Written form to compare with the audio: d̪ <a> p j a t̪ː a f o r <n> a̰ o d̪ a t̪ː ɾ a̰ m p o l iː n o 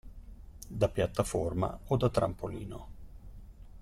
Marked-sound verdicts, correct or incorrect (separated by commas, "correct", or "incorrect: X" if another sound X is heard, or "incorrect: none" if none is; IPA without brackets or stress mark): correct, incorrect: m